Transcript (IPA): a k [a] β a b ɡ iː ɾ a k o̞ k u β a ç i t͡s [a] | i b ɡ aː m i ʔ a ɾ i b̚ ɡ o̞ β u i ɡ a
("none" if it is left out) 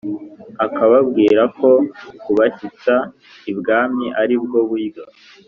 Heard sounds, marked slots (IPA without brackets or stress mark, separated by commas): a, a